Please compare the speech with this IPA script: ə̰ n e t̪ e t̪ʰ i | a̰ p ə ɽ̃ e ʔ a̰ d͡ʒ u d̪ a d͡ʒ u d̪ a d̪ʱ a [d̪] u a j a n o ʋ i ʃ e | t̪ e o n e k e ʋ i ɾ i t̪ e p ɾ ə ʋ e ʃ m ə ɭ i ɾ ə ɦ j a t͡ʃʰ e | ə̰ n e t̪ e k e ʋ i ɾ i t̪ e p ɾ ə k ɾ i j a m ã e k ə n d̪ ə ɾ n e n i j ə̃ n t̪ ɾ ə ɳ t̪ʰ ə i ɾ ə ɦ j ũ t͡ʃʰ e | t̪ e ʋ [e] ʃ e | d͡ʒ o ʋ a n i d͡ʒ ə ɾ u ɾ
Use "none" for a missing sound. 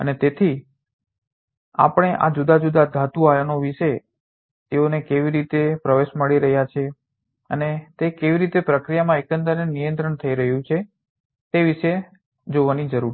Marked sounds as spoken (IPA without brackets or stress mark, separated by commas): t̪, i